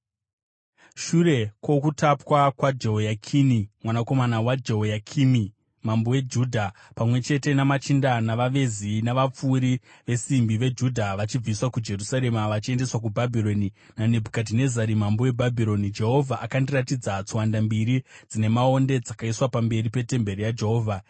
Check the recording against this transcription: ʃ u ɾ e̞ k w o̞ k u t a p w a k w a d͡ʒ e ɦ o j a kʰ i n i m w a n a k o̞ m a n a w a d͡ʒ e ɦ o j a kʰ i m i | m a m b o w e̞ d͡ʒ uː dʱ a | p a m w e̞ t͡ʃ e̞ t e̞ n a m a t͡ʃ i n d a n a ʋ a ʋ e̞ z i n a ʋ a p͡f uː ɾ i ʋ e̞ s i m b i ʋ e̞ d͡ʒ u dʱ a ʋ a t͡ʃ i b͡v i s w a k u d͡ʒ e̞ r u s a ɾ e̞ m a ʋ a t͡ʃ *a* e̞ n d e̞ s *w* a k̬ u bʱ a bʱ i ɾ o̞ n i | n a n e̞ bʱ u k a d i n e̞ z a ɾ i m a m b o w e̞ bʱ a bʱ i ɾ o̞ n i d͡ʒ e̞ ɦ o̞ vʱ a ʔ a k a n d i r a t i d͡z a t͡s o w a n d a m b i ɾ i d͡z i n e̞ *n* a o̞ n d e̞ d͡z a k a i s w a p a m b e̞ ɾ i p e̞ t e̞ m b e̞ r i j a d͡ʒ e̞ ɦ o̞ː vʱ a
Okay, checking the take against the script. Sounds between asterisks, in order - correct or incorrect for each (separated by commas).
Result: incorrect, correct, incorrect